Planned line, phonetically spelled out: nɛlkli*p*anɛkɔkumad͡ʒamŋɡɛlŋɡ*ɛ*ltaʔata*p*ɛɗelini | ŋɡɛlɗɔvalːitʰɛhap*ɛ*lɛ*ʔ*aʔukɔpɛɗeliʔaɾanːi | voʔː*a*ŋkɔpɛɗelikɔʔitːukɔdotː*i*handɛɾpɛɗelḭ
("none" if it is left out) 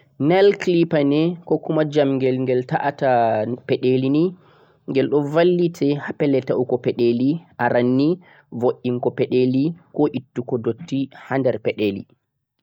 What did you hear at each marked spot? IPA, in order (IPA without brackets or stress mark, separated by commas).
p, ɛ, p, ɛ, t, i, i